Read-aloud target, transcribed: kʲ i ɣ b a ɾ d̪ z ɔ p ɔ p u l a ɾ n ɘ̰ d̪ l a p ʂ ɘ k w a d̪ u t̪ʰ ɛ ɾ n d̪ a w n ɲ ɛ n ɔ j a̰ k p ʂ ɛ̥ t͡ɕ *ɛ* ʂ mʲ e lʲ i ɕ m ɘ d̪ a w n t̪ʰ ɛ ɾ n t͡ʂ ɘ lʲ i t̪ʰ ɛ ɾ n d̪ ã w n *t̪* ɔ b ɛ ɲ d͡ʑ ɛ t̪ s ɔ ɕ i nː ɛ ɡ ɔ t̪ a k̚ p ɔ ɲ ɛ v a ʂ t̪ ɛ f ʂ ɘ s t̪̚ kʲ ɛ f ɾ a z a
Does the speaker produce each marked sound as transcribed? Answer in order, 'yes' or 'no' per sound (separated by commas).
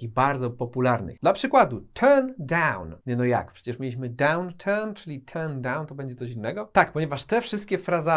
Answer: yes, yes